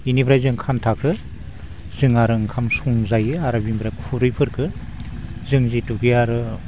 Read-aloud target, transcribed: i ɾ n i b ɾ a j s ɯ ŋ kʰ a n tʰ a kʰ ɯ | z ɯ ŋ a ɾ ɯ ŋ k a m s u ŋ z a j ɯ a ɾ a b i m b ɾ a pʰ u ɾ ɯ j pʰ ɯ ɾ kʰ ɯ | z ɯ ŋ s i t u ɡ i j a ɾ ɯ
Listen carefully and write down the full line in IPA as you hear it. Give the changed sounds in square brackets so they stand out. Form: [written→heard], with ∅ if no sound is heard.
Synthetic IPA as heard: i [ɾ→∅] n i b ɾ a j [s→z] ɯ ŋ kʰ a n tʰ a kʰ ɯ | z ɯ ŋ a ɾ ɯ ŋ [k→kʰ] a m s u ŋ z a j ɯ a ɾ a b i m b ɾ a [pʰ→kʰ] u ɾ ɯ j pʰ ɯ ɾ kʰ ɯ | z ɯ ŋ [s→z] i t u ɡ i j a ɾ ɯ